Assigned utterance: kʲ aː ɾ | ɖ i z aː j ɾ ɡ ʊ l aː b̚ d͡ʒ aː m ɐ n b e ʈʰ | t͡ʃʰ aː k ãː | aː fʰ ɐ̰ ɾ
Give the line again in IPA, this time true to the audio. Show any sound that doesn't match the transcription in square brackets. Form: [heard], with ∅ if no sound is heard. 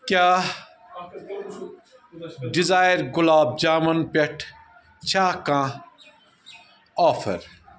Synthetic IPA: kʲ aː [∅] | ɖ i z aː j ɾ ɡ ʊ l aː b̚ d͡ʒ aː m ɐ n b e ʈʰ | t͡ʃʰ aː k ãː | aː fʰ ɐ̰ ɾ